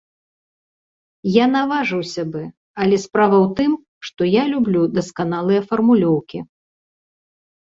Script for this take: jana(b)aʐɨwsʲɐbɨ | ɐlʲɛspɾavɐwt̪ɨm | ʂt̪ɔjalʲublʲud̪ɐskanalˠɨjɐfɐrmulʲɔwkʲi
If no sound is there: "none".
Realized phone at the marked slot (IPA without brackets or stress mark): v